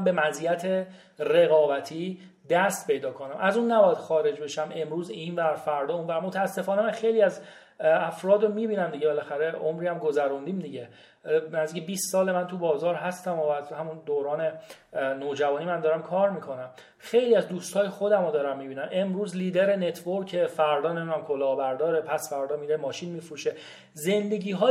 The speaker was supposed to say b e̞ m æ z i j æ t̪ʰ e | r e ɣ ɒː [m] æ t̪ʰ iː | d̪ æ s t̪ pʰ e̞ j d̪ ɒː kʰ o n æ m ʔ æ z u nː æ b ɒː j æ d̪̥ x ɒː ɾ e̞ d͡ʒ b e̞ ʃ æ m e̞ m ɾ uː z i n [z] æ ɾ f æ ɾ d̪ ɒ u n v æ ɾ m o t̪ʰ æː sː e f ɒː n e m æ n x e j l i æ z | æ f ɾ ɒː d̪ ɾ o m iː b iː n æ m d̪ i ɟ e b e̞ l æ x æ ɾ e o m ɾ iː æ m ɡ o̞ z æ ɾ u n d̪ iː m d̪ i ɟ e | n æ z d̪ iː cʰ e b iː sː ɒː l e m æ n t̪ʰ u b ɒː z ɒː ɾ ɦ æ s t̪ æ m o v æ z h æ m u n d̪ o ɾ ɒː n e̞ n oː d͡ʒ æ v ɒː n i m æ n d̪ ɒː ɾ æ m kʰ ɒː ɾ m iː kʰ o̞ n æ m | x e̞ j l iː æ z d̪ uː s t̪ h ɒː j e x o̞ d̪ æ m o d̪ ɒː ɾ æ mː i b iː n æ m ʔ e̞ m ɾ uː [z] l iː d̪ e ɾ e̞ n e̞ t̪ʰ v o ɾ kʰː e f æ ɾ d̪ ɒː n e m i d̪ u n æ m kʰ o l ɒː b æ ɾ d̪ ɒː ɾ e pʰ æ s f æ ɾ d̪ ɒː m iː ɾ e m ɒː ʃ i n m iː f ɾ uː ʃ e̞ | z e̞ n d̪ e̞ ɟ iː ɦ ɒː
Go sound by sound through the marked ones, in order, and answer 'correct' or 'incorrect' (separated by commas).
incorrect, incorrect, correct